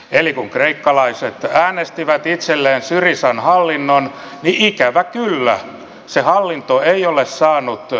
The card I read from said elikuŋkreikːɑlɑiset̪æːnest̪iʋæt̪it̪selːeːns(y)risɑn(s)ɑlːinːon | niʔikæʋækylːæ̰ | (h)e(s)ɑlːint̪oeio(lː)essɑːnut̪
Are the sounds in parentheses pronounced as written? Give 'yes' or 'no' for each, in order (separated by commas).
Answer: yes, no, no, no, no